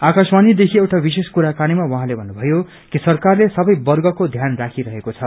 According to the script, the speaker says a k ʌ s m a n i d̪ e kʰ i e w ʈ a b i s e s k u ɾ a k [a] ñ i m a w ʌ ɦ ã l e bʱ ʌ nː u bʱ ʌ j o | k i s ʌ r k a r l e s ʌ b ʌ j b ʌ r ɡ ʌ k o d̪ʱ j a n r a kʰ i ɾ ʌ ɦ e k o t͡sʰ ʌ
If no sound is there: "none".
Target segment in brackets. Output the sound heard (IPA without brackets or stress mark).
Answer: a